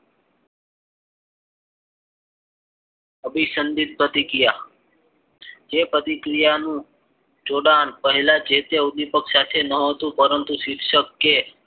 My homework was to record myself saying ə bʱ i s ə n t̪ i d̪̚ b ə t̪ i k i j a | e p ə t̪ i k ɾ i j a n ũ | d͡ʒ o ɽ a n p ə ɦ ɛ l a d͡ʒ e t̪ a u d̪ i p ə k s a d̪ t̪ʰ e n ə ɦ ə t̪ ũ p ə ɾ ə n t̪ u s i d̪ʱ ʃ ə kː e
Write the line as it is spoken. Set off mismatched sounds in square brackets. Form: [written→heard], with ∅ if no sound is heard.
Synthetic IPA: ə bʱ i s ə n [t̪→d̪] i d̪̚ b ə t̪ i k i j a | e p ə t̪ i k ɾ i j a n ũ | d͡ʒ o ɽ a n p ə ɦ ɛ l a d͡ʒ e t̪ [a→e] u d̪ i p ə k s a [d̪→∅] t̪ʰ e n ə ɦ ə t̪ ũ p ə ɾ ə n t̪ u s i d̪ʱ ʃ ə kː e

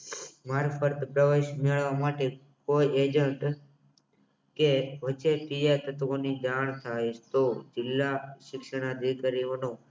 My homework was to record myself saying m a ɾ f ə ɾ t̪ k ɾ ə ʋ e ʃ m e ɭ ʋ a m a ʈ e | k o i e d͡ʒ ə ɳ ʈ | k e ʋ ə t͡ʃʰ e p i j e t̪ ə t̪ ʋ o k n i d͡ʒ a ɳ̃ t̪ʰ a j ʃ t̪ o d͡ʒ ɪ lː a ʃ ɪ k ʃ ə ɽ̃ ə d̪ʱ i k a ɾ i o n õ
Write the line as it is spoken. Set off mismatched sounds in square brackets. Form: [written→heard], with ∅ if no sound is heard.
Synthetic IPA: m a ɾ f ə ɾ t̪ [k→p] ɾ ə ʋ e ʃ m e ɭ ʋ a m a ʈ e | k o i e d͡ʒ ə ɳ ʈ | k e ʋ ə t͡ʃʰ e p i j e t̪ ə t̪ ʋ o [k→∅] n i d͡ʒ a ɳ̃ t̪ʰ a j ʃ t̪ o d͡ʒ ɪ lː a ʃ ɪ k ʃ ə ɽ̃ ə d̪ʱ i k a ɾ i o n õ

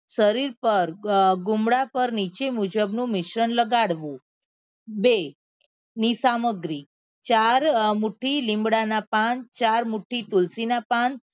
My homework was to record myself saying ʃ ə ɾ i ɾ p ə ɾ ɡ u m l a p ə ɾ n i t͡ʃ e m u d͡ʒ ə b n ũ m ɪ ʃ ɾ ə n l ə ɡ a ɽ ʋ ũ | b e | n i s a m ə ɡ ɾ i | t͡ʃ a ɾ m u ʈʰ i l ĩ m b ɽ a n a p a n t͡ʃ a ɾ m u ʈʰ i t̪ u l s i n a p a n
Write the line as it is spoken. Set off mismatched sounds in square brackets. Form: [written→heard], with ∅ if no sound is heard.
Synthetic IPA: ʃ ə ɾ i ɾ p ə ɾ ɡ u m [l→ɽ] a p ə ɾ n i t͡ʃ e m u d͡ʒ ə b n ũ m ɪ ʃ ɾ ə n l ə ɡ a ɽ ʋ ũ | b e | n i s a m ə ɡ ɾ i | t͡ʃ a ɾ m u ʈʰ i l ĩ m b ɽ a n a p a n t͡ʃ a ɾ m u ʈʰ i t̪ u l s i n a p a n

